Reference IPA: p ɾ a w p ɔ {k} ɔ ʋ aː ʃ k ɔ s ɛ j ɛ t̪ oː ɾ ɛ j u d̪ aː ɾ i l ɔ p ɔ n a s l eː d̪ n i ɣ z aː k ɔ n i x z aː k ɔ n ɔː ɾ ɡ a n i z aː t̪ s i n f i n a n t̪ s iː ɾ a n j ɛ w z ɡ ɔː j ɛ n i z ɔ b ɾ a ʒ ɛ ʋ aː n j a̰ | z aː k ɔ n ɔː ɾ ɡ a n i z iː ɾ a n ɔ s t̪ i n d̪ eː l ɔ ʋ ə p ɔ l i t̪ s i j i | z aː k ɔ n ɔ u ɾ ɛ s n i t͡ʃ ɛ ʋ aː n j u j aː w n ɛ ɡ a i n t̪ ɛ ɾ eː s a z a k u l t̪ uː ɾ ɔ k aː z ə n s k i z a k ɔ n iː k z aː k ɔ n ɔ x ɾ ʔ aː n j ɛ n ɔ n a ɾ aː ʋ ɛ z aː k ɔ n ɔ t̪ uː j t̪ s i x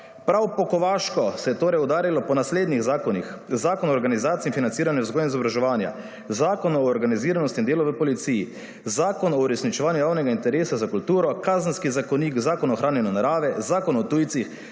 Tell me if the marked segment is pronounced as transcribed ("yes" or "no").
yes